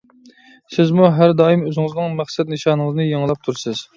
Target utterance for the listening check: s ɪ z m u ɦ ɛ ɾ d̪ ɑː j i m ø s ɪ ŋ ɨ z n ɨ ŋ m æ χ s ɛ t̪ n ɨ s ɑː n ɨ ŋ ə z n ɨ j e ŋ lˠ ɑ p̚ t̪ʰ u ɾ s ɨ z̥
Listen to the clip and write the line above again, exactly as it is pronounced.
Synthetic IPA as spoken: s ɪ z m u ɦ æ ɾ d̪ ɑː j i m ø z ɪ ŋ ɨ z n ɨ ŋ m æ χ s ɛ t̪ n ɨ ʃ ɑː n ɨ ŋ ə z n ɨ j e ŋ lˠ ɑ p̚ t̪ʰ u ɾ s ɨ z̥